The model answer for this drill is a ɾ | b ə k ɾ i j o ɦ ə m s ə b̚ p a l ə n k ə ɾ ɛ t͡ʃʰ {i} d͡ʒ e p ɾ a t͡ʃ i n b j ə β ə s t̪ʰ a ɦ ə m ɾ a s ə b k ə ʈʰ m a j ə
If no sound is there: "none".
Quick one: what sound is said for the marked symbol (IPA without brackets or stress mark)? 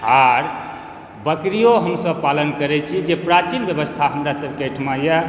i